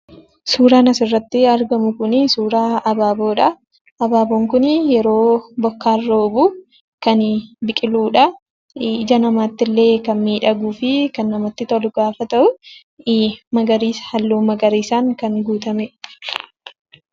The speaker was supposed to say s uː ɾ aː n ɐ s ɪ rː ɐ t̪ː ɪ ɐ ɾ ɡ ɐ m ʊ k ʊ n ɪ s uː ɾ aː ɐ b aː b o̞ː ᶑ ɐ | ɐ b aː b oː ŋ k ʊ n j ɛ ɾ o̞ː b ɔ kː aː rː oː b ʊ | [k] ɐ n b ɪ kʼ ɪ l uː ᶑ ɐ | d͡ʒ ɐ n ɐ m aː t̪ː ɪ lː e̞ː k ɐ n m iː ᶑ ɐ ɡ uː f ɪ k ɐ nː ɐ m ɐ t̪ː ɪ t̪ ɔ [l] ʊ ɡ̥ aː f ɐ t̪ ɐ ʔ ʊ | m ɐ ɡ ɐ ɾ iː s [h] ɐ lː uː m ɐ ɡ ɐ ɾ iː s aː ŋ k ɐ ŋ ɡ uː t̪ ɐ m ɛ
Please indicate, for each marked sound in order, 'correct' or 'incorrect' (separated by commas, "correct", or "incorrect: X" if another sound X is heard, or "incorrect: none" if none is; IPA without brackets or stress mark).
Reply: correct, correct, correct